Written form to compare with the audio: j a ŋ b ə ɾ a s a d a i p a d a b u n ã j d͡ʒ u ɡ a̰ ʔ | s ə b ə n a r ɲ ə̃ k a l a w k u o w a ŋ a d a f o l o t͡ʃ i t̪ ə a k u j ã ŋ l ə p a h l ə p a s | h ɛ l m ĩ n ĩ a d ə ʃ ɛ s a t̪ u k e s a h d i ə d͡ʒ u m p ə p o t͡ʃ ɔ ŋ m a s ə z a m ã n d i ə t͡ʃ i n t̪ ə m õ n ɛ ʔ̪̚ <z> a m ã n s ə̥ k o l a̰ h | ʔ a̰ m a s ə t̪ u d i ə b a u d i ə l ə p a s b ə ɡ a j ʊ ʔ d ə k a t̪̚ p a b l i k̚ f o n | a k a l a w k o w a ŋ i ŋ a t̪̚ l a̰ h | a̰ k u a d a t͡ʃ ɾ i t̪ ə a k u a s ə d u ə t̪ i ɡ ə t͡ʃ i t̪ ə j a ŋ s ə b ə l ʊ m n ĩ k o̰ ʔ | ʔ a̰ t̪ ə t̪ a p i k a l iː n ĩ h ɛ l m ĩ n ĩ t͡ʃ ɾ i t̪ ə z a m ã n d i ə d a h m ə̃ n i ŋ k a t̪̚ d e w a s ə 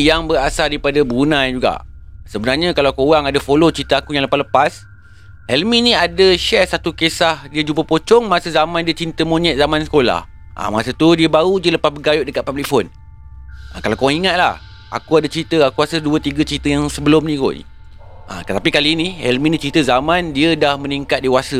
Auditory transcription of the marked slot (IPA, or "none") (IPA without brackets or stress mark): z